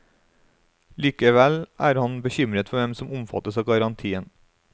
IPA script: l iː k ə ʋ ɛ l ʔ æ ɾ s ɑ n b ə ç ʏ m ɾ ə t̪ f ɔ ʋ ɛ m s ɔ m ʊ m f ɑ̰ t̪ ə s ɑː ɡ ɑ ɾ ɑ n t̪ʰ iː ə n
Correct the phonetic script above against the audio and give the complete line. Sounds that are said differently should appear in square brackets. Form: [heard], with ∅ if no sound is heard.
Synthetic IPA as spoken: l iː k ə ʋ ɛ l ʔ [æː] ɾ [h] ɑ n b ə ç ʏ m ɾ ə t̪ f ɔ ʋ ɛ m s ɔ m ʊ m f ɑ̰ t̪ ə s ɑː ɡ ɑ ɾ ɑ n t̪ʰ iː ə n